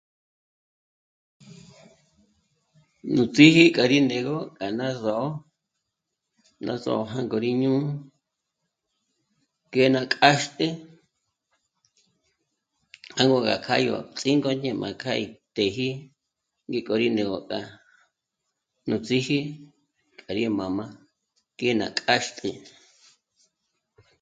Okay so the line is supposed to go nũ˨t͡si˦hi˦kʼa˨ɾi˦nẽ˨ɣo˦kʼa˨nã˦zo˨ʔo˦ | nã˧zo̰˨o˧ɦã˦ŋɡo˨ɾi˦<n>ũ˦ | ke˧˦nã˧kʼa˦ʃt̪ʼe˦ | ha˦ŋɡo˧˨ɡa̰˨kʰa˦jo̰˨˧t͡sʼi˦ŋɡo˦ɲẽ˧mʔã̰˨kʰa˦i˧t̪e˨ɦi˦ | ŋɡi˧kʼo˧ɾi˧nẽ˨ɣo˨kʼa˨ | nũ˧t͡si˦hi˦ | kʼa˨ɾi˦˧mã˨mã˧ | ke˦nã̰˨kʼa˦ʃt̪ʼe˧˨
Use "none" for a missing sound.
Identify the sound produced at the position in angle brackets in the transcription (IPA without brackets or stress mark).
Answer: ɲ